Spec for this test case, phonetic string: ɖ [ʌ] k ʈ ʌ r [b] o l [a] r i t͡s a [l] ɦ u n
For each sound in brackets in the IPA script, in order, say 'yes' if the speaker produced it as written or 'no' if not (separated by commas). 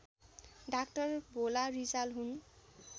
no, yes, yes, yes